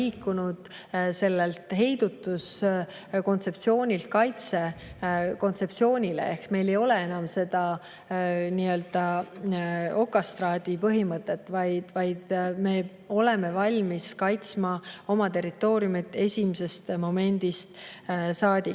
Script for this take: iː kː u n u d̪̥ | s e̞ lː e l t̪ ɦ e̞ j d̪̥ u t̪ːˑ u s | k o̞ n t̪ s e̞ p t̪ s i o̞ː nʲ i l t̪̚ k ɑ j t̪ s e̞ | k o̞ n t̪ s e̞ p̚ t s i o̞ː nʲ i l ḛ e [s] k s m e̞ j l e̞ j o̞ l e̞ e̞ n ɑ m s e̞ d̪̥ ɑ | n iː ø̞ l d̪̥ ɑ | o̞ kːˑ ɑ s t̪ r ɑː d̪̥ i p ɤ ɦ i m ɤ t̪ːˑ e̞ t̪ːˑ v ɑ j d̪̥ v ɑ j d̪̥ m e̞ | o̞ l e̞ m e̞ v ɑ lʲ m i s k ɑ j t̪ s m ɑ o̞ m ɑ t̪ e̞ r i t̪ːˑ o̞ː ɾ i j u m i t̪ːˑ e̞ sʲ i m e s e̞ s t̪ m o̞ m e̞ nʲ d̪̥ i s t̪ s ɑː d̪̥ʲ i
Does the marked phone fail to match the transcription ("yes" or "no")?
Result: yes